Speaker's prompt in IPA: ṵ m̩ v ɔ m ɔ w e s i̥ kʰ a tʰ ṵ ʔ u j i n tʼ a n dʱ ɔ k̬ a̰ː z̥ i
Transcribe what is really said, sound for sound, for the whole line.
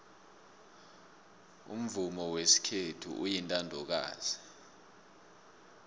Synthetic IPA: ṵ m̩ v u m ɔ w e s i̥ kʰ e tʰ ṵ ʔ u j i n tʼ a n dʱ ɔ k̬ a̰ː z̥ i